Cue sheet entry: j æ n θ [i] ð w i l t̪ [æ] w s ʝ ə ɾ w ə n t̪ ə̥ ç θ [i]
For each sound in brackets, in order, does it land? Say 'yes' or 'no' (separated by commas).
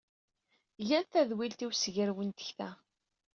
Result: no, no, no